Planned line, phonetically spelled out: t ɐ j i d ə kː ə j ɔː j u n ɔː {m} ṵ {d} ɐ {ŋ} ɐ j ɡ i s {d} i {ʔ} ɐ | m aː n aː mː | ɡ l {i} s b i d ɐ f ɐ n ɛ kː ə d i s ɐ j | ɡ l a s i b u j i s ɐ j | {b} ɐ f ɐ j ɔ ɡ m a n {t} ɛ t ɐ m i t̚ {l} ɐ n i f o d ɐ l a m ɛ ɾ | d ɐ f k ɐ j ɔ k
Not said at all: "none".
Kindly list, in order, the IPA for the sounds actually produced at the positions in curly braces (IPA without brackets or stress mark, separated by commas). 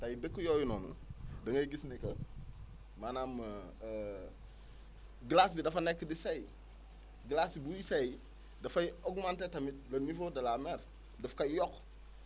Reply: n, d, ŋ, n, k, a, d, t, l